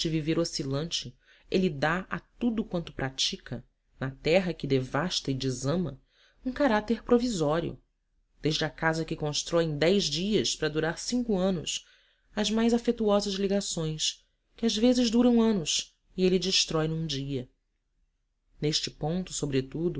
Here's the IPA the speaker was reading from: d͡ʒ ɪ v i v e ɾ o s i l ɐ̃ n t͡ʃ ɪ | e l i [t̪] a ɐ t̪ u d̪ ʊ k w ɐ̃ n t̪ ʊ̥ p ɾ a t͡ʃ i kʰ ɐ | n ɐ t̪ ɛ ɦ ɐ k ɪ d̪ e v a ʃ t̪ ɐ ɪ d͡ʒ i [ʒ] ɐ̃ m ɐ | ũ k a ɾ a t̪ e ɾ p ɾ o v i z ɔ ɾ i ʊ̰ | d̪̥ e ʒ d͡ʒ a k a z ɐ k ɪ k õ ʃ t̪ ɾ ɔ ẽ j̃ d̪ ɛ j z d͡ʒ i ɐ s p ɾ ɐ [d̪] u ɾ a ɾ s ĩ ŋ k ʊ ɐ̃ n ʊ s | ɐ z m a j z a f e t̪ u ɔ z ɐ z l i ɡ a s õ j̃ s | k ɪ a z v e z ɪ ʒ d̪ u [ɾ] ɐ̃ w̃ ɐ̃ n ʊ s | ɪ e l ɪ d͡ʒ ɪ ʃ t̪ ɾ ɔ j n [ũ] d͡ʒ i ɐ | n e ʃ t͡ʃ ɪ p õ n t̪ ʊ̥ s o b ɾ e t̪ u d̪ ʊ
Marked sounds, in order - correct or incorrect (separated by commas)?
incorrect, incorrect, correct, correct, correct